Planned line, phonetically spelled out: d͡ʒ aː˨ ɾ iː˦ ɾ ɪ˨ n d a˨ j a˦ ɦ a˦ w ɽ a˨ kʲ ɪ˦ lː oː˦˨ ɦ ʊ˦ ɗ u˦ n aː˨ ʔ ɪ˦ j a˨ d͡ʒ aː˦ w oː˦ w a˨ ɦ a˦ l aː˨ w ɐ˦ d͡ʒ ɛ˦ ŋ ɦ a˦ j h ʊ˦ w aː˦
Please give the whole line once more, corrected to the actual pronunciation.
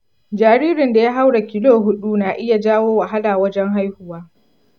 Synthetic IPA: d͡ʒ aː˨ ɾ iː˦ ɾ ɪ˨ n d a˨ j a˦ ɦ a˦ w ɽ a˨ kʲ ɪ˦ l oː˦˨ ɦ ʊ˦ ɗ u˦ n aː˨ ʔ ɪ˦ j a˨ d͡ʒ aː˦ w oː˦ w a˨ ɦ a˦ l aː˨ w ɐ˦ d͡ʒ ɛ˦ ŋ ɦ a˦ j h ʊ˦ w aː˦